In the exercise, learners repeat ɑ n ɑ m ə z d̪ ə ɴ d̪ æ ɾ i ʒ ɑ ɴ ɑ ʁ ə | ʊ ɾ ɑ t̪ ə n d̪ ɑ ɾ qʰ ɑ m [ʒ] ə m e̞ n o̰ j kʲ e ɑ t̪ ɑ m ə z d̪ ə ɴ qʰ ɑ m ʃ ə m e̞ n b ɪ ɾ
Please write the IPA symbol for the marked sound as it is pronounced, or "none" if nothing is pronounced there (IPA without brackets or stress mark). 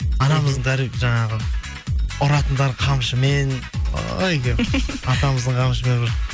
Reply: ʃ